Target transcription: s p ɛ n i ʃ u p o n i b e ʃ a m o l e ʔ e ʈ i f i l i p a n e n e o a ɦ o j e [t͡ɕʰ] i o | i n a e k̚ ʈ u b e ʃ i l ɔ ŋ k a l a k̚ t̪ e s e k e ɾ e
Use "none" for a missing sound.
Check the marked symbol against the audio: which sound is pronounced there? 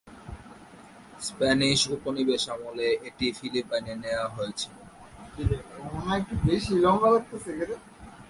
t͡ɕʰ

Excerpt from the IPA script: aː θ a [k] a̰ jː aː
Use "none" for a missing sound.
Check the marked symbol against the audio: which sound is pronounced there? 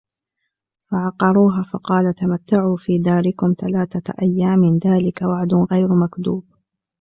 ʔ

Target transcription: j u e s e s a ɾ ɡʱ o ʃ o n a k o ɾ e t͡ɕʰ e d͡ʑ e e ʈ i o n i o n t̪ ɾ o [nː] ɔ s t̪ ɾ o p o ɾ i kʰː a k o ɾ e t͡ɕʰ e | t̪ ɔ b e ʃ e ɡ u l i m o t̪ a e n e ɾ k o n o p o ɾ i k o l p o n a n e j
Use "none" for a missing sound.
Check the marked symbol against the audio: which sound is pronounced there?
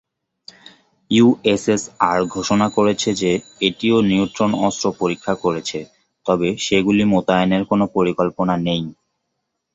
n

